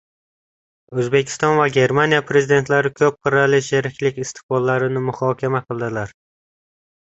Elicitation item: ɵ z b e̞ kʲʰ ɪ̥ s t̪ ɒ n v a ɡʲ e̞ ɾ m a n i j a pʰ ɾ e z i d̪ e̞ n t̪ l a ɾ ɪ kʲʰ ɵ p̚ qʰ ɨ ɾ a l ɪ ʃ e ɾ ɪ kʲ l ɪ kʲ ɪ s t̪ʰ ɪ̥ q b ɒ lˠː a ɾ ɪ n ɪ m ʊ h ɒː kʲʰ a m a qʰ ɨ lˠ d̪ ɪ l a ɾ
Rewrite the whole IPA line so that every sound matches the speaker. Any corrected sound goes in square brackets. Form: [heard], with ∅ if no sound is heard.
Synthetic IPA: ɵ z b e̞ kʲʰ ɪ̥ s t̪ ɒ n v a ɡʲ e̞ ɾ m a n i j a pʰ ɾ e z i d̪ e̞ n t̪ l a ɾ ɪ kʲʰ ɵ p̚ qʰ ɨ ɾ a l ɪ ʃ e ɾ ɪ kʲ l ɪ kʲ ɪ s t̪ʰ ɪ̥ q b ɒ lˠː a ɾ ɪ n ɪ m ʊ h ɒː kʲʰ a m a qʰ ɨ lˠ d̪ ɪ l a ɾ